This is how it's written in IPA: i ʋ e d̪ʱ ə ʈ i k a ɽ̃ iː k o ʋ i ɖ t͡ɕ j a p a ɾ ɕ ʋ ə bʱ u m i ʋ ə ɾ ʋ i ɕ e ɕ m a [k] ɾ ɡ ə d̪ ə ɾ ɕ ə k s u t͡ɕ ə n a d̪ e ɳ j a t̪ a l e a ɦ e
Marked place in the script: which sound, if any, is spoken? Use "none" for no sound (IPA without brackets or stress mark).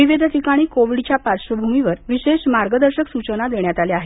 none